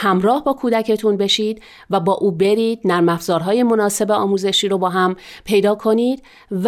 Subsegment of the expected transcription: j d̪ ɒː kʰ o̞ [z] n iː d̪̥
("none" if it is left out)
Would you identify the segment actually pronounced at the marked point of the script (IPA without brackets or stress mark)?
none